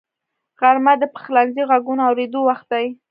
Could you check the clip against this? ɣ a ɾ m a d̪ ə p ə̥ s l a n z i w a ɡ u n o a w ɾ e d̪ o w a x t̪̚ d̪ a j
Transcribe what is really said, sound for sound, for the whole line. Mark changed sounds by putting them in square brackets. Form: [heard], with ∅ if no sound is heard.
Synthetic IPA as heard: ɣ a ɾ m a d̪ ə p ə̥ [x] l a n z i [ɣ] a ɡ u n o a w ɾ e d̪ o w a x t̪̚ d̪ a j